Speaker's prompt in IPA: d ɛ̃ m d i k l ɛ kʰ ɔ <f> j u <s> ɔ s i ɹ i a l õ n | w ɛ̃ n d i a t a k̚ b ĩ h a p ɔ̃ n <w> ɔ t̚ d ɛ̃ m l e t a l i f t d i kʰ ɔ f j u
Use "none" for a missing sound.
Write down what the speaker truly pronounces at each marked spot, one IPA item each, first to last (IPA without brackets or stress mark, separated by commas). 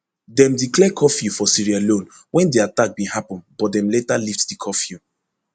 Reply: f, f, b